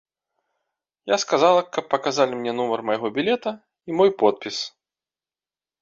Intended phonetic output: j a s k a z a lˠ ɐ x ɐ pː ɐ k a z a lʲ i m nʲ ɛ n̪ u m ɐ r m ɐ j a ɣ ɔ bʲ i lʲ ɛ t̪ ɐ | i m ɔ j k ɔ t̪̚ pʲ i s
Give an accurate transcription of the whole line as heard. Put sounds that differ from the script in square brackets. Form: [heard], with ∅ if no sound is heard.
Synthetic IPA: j a s k a z a lˠ ɐ [k] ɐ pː ɐ k a z a lʲ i m nʲ ɛ n̪ u m ɐ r m ɐ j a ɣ ɔ bʲ i lʲ ɛ t̪ ɐ | i m ɔ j [p] ɔ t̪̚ pʲ i s